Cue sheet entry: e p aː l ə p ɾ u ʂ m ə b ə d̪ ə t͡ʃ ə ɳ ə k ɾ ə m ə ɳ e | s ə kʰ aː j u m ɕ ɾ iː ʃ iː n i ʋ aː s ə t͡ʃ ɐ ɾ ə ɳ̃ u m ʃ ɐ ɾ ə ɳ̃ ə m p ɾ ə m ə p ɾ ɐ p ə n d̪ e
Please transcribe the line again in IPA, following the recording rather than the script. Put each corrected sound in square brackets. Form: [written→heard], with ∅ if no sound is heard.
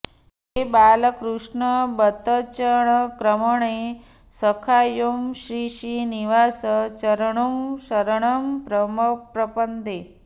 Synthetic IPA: e [p→b] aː l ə [p→k] ɾ u ʂ [m→ɳ] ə b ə [d̪→t̪] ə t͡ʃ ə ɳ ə k ɾ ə m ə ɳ e | s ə kʰ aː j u m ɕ ɾ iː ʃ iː n i ʋ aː s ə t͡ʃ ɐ ɾ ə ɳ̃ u m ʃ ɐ ɾ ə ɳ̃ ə m p ɾ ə m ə p ɾ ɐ p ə n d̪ e